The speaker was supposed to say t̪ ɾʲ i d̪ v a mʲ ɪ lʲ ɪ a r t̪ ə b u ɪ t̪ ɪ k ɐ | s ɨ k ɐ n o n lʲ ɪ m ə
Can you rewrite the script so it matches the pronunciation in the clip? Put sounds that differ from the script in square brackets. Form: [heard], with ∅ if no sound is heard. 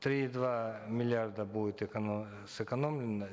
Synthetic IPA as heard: t̪ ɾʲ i d̪ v a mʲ ɪ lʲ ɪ a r [d̪] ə b u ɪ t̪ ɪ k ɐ | s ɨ k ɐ n o [m] lʲ ɪ [n] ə